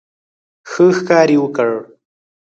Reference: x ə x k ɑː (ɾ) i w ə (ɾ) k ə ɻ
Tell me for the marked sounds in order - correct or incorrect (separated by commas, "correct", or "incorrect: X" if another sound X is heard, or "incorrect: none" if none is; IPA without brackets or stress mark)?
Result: correct, incorrect: none